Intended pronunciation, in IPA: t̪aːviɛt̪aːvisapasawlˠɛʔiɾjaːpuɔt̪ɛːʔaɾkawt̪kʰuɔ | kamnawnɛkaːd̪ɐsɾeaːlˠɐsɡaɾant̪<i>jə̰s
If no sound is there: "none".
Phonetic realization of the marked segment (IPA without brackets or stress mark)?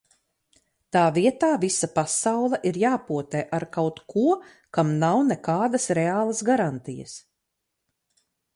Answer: i